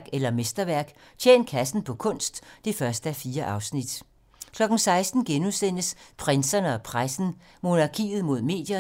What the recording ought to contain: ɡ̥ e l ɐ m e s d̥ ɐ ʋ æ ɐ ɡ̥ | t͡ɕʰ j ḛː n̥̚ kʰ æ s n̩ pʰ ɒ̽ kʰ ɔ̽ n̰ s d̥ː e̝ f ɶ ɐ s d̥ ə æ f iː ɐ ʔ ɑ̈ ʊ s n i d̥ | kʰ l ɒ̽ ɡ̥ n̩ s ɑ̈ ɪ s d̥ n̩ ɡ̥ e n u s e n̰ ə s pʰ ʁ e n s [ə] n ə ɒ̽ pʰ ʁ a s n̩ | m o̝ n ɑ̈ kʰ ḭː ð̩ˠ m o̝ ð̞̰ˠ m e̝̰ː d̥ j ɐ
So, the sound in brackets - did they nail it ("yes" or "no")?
no